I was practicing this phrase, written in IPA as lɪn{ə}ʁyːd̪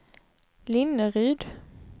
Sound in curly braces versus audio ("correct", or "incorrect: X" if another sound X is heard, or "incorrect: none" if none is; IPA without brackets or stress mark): correct